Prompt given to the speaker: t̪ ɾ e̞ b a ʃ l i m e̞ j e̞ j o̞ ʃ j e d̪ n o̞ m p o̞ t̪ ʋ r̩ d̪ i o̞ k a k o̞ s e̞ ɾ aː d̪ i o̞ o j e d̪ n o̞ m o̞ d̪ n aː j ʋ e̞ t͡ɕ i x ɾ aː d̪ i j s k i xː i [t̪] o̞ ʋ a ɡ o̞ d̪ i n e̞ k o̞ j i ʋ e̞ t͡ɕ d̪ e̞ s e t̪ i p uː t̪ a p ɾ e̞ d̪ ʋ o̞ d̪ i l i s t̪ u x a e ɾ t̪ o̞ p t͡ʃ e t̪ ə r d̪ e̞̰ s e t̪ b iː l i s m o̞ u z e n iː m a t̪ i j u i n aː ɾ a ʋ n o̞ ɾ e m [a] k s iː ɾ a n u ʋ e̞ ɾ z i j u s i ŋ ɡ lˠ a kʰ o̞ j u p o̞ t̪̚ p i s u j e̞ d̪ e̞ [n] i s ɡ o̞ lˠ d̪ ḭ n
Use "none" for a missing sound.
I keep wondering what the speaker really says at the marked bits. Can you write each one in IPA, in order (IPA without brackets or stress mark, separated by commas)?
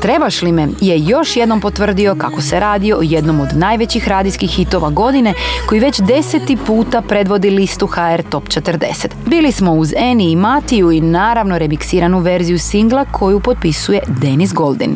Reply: t̪, i, n